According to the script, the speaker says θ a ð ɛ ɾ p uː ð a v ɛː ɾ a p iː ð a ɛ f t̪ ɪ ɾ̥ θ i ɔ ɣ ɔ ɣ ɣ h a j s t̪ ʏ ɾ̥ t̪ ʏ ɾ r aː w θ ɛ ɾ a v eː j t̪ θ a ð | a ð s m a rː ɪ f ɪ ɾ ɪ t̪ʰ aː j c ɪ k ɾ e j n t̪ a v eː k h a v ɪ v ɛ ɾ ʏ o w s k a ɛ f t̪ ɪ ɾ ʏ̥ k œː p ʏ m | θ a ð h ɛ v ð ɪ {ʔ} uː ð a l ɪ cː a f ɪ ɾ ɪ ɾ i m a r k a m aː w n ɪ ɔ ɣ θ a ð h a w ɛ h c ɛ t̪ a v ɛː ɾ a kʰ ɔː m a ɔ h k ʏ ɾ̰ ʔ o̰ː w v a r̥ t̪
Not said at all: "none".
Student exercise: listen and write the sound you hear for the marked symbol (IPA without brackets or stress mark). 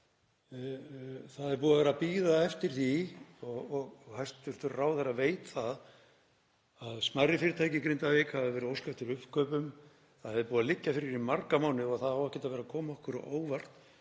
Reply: p